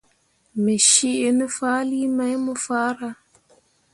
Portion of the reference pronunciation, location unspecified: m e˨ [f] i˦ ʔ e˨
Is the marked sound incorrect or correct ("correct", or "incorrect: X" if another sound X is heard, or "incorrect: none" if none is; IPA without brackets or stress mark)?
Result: incorrect: ʃ